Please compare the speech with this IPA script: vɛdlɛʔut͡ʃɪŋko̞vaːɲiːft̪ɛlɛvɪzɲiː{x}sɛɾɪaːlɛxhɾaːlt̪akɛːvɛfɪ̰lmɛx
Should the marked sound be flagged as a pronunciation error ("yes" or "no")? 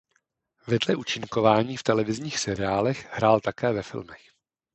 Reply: no